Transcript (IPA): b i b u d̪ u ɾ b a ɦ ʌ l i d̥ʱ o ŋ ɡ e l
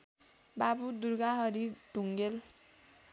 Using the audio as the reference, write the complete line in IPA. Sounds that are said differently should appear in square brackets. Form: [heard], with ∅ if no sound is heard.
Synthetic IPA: b [a] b u d̪ u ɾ [ɡ] a ɦ ʌ [ɾ] i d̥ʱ [u] ŋ ɡ e l